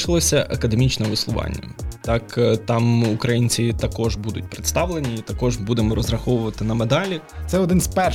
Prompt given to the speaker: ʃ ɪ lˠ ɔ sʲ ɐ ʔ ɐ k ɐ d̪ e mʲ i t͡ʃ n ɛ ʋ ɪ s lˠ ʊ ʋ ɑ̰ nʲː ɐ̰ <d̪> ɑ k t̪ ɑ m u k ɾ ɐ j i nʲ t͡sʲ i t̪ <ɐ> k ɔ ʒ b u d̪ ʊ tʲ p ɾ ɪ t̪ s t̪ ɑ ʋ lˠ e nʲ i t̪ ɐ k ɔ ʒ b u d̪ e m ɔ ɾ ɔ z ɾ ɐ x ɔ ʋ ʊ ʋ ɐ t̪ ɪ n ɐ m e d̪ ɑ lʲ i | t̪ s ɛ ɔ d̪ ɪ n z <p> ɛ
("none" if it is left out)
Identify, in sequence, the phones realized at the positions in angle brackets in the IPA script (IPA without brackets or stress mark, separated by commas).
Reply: t̪, ɐ, p